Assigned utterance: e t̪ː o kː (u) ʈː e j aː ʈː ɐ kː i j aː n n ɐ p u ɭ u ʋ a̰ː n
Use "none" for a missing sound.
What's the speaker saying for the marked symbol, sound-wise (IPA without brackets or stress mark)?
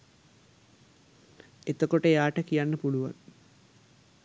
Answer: o